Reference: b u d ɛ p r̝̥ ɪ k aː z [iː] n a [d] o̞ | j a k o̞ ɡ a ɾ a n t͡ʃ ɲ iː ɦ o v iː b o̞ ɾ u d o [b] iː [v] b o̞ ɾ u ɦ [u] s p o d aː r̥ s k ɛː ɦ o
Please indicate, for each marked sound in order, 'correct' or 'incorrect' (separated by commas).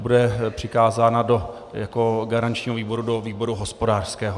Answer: incorrect, correct, incorrect, incorrect, incorrect